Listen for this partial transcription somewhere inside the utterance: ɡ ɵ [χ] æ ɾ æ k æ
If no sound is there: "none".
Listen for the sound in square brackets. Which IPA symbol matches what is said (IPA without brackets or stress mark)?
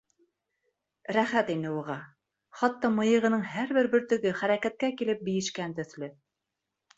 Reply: χ